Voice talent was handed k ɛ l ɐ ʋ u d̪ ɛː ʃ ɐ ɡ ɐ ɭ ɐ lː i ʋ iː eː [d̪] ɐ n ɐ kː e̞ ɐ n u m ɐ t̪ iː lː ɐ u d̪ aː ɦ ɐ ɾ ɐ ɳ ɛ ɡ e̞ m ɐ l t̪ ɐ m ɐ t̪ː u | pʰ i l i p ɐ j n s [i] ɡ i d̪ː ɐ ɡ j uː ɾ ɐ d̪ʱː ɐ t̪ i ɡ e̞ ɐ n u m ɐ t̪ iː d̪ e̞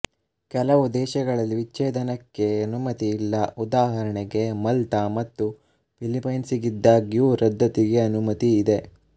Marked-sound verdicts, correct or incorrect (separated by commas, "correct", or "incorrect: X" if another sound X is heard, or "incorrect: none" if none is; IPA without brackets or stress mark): correct, correct